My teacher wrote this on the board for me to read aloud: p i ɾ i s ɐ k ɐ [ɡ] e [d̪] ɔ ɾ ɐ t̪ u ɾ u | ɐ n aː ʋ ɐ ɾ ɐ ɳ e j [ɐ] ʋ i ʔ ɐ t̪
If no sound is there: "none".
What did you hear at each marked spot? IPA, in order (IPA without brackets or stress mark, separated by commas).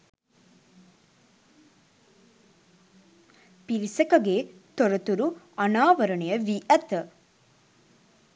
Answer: ɡ, t̪, ɐ